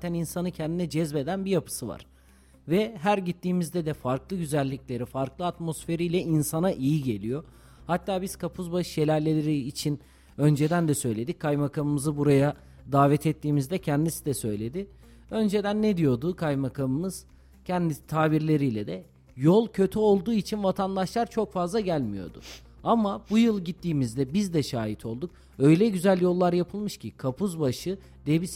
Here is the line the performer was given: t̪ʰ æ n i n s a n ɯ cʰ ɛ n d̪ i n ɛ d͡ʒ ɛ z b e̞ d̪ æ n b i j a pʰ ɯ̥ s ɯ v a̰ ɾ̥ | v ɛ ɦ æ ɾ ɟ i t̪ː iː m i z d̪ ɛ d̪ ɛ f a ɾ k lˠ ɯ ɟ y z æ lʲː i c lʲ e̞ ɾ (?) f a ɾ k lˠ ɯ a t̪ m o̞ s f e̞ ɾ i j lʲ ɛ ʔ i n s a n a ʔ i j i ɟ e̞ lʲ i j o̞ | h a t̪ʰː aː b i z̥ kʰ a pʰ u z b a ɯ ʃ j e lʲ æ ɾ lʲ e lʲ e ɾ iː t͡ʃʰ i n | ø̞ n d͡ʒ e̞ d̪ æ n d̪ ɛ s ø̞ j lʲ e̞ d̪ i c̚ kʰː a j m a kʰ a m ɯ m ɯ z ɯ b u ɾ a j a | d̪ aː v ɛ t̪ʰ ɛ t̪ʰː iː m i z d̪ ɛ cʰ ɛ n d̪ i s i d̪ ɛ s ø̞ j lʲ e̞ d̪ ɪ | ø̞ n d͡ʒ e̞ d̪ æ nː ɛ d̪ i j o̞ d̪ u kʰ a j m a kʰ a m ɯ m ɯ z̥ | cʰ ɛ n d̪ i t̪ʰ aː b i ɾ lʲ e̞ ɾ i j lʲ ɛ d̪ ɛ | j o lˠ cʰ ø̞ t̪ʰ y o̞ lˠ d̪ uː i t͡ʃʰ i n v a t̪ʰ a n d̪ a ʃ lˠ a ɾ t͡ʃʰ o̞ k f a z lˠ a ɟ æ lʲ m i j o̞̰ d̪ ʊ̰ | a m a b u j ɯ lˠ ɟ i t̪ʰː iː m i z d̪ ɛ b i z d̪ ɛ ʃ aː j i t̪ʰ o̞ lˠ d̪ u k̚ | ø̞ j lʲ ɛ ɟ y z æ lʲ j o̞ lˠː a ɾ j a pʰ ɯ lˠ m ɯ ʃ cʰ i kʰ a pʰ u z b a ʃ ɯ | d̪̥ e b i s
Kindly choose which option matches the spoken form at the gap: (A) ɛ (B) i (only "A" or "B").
B